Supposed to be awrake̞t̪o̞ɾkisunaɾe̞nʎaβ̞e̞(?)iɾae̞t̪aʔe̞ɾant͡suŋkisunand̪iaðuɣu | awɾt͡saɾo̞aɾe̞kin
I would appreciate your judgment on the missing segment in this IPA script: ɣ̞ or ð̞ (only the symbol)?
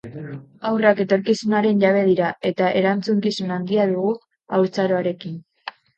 ð̞